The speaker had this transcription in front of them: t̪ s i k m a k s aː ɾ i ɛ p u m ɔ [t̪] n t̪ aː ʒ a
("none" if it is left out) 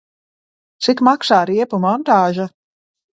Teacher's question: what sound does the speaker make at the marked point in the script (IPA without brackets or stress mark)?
none